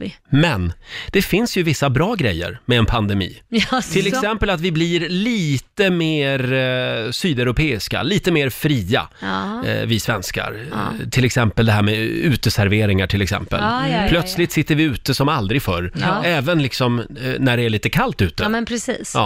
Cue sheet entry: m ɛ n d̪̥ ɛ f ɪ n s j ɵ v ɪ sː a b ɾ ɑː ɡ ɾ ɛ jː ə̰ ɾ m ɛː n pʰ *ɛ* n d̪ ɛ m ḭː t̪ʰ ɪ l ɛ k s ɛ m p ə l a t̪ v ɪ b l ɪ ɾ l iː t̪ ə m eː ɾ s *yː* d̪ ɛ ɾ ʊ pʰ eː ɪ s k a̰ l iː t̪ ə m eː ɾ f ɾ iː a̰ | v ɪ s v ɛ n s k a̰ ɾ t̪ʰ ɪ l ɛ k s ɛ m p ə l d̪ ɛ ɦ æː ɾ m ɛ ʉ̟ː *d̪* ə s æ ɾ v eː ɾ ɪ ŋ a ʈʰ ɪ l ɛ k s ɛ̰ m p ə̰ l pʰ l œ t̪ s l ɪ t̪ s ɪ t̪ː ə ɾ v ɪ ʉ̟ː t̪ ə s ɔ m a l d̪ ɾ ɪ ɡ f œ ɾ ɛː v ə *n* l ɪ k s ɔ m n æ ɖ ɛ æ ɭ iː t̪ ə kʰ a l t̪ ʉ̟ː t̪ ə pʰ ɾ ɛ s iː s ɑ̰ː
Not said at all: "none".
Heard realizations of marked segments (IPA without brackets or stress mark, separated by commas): a, yː, t̪, n